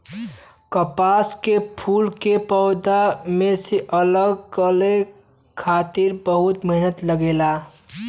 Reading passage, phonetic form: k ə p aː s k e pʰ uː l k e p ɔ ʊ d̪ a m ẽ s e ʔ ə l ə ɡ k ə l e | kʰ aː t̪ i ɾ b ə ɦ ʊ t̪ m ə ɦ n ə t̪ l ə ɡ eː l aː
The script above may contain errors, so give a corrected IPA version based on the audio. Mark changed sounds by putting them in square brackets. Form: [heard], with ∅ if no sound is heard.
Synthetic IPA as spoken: k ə p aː s k e pʰ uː l k e p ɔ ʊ d̪ a m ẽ s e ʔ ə l ə ɡ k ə l e | kʰ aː t̪ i ɾ b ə ɦ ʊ t̪ m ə ɦ n ə t̪ l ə ɡ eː l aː